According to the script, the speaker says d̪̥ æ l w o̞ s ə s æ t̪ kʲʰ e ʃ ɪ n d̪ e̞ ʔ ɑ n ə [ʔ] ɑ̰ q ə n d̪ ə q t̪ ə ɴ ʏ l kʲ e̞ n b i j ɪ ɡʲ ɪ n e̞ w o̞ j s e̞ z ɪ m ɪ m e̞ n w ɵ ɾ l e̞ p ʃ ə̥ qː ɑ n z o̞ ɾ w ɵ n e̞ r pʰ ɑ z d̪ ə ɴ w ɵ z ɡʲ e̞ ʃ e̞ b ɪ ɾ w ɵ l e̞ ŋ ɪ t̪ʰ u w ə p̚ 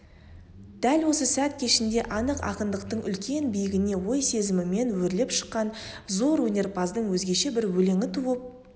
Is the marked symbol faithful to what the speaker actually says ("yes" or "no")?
no